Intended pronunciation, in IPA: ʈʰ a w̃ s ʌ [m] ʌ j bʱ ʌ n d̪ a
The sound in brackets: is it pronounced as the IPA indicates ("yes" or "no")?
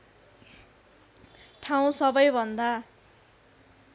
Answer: no